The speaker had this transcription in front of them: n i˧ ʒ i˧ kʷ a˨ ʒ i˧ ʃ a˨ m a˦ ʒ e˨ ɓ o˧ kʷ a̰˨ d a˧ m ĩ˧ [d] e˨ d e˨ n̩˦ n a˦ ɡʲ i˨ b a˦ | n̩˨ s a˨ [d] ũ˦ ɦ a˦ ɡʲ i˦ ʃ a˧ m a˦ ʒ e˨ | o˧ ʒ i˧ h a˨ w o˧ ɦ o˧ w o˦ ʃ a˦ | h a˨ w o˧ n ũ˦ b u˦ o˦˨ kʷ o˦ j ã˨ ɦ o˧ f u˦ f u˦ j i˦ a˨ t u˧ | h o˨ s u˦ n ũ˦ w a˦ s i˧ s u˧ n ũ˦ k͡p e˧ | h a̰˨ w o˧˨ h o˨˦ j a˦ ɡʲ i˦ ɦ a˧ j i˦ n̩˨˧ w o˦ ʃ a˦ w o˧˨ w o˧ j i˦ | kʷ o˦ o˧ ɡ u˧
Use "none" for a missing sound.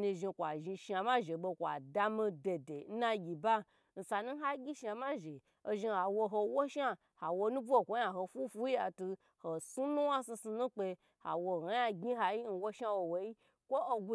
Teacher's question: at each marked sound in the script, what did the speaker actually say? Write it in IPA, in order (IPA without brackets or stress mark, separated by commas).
d, n